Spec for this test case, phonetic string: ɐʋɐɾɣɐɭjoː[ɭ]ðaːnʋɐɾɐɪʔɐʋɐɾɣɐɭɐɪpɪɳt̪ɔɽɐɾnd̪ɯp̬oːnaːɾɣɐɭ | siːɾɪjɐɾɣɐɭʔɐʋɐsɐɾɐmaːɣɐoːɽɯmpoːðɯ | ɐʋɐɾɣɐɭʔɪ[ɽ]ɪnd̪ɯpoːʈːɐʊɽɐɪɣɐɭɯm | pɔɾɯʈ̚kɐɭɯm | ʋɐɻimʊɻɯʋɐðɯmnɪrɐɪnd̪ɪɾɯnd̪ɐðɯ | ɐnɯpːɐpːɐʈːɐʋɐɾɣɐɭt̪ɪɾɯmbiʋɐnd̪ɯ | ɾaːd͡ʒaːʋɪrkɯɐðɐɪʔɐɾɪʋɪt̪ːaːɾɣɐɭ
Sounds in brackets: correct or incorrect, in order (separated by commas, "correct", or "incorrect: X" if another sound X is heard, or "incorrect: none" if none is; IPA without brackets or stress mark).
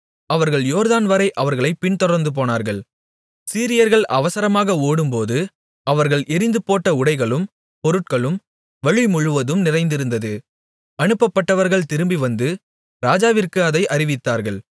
incorrect: ɾ, incorrect: ɾ